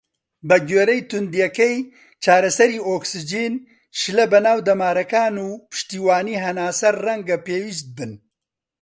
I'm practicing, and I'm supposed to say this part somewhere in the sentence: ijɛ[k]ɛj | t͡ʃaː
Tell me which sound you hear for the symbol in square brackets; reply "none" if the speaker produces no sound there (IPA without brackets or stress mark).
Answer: k